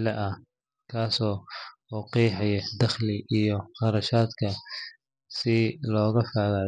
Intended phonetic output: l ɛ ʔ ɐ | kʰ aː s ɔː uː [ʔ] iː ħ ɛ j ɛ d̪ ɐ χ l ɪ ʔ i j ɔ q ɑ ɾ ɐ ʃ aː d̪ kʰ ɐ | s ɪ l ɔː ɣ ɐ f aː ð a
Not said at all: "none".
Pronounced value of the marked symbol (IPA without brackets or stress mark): q